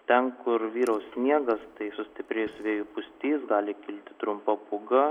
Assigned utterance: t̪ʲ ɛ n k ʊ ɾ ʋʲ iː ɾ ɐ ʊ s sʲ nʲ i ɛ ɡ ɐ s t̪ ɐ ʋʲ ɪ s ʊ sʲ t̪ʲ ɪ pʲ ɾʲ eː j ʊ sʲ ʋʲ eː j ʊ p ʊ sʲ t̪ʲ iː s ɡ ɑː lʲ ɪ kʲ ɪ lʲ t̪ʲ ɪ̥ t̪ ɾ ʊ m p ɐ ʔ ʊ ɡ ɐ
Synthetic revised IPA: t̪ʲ ɛ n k ʊ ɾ ʋʲ iː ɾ ɐ ʊ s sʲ nʲ i ɛ ɡ ɐ s t̪ ɐ ɪ s ʊ sʲ t̪ʲ ɪ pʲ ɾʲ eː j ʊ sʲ ʋʲ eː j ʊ p ʊ sʲ t̪ʲ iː s ɡ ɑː lʲ ɪ kʲ ɪ lʲ t̪ʲ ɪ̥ t̪ ɾ ʊ m p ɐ p ʊ ɡ ɐ